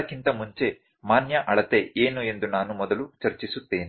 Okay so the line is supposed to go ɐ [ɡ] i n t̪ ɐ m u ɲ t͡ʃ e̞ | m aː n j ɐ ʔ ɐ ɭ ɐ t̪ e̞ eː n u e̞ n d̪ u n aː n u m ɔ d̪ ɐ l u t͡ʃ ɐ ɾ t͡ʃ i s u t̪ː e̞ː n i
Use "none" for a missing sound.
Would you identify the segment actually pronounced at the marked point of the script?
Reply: k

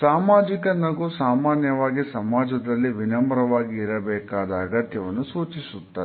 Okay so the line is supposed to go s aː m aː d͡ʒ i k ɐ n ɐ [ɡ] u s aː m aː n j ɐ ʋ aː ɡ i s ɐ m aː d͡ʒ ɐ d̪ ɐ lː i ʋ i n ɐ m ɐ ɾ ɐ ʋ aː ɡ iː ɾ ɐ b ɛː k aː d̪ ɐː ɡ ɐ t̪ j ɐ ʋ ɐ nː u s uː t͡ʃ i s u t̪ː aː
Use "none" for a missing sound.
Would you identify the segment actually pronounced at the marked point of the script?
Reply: ɡ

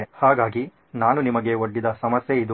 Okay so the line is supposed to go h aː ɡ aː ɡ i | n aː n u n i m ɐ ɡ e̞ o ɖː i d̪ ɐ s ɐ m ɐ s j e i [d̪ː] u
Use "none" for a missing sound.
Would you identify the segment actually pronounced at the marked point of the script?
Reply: d̪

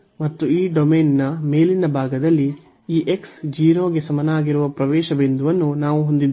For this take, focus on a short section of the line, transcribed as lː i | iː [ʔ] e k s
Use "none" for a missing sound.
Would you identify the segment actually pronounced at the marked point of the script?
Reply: ʔ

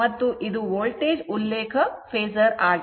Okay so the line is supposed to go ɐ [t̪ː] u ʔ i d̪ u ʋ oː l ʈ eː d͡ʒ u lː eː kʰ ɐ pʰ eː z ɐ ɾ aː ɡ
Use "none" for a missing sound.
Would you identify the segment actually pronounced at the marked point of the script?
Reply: t̪ː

